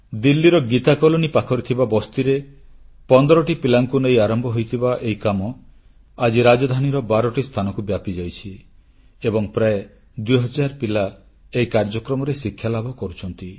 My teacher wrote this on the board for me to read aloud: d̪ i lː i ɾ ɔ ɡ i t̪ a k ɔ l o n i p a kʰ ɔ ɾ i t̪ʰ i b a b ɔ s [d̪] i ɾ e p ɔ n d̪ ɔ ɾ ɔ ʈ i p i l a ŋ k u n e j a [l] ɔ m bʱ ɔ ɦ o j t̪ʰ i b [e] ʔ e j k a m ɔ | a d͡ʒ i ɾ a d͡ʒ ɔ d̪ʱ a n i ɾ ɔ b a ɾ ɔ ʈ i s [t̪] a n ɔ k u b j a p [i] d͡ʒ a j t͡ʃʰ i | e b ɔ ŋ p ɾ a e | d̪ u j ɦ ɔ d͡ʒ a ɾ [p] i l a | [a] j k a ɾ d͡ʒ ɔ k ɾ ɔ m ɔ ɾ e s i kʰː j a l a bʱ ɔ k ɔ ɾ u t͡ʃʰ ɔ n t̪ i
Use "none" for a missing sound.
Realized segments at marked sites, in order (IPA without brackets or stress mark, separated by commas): t̪, ɾ, a, t̪ʰ, i, p, e